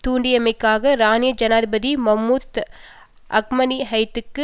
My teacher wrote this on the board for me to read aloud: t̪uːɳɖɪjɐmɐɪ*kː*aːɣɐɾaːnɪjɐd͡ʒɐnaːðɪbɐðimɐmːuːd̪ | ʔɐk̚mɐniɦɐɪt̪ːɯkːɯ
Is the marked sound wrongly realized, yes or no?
no